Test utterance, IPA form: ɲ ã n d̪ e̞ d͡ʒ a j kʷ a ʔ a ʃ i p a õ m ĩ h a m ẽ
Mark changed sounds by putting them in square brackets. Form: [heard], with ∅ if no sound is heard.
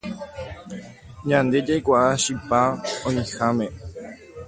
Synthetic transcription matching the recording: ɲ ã n d̪ e̞ d͡ʒ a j kʷ a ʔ a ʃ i p a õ [ɲ] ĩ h a m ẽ